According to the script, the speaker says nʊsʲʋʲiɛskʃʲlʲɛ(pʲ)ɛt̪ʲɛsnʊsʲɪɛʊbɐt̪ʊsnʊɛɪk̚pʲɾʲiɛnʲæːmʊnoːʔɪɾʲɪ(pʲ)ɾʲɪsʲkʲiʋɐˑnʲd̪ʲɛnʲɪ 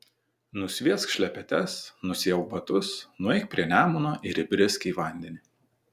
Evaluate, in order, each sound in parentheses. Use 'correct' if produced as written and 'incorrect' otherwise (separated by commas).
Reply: correct, incorrect